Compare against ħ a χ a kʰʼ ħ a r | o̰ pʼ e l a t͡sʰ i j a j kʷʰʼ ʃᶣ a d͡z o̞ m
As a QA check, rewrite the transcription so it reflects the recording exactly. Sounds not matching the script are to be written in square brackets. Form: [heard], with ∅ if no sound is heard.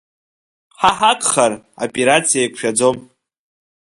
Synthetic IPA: ħ a [ħ] a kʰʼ [χ] a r | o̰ pʼ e [ɾ] a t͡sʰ i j a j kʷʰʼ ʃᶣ a d͡z o̞ m